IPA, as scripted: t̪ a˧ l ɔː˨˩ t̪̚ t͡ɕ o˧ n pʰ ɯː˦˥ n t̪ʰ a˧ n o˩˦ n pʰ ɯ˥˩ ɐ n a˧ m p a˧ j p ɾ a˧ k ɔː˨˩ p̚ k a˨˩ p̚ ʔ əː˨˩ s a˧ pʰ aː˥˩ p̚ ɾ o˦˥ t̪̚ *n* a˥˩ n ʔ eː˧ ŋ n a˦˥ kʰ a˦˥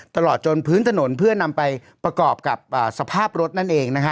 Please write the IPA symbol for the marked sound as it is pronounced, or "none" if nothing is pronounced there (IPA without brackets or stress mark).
n